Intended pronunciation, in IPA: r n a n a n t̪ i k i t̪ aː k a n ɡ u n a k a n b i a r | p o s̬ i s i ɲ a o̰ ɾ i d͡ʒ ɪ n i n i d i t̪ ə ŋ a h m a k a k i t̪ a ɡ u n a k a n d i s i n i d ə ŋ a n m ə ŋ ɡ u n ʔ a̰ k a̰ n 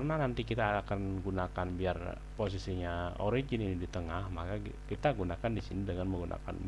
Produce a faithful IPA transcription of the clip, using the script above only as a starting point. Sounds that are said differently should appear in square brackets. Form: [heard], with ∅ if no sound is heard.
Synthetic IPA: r n a n a n t̪ i k i t̪ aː k a n ɡ u n a k a n b i a r | p o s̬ i s i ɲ a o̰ ɾ i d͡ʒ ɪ n i n i d i t̪ ə ŋ a h m a k a k i t̪ a ɡ u n a k a n d i s i n i d ə ŋ a n m ə ŋ ɡ u n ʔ a̰ k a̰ n